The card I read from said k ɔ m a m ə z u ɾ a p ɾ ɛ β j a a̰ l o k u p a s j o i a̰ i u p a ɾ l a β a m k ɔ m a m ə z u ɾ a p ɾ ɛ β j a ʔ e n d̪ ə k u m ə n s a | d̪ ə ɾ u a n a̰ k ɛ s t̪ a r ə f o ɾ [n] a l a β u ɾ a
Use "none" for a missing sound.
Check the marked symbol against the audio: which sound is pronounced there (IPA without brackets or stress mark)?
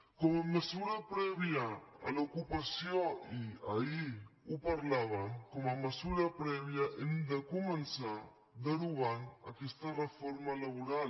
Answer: m